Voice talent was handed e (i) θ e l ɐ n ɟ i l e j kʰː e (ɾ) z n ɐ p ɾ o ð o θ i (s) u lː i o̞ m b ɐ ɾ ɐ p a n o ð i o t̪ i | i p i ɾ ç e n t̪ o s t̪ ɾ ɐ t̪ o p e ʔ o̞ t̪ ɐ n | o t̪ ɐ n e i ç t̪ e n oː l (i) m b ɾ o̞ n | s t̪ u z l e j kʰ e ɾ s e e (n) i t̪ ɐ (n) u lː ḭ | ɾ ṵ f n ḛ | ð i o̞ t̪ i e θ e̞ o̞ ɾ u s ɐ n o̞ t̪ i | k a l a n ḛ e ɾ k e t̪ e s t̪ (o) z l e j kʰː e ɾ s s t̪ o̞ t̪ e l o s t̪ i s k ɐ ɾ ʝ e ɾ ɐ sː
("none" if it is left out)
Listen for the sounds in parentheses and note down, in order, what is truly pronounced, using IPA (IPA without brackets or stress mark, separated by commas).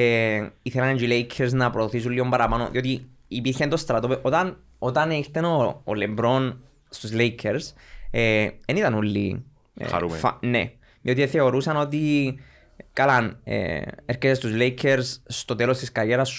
i, ɾ, s, e, n, n, u